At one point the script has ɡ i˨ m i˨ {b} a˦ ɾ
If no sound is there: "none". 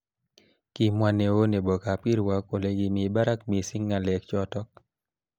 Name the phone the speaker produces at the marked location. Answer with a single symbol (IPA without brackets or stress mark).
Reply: b